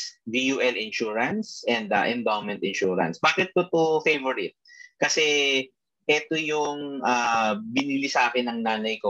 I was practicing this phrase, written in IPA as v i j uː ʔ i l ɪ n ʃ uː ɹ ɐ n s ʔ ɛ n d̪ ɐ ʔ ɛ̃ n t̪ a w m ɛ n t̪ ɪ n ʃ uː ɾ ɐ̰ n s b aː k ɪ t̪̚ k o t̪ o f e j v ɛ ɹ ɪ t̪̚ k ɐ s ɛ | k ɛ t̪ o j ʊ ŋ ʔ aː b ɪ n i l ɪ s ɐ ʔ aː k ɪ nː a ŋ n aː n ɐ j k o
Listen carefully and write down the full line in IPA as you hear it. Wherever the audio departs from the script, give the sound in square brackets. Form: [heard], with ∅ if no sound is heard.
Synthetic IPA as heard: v i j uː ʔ [ɛ] l ɪ n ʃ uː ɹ ɐ n s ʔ ɛ n d̪ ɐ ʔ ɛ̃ n [d̪] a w m ɛ n t̪ ɪ n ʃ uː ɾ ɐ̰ n s b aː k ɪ t̪̚ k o t̪ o f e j v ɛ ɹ ɪ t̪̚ k ɐ s ɛ | [ʔ] ɛ t̪ o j ʊ ŋ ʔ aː b ɪ n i l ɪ s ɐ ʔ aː k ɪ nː [ɐ] ŋ n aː n ɐ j k o